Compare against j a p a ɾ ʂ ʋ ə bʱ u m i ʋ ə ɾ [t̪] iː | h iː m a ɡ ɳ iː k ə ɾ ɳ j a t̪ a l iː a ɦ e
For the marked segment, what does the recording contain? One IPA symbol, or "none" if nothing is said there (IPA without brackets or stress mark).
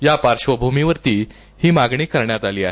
t̪